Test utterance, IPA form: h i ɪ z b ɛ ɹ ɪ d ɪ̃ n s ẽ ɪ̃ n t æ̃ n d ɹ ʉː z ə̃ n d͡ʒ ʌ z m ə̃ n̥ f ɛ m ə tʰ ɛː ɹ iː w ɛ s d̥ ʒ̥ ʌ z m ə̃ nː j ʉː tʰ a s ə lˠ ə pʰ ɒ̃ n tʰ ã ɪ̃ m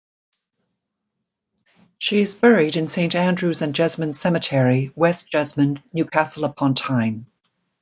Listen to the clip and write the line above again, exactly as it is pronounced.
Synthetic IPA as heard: ʃ i ɪ z b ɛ ɹ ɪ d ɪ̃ n s ẽ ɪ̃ n t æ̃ n d ɹ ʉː z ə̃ n d͡ʒ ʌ z m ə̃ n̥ s ɛ m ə tʰ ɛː ɹ i w ɛ s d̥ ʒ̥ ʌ z m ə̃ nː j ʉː kʰ a s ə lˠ ə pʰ ɒ̃ n tʰ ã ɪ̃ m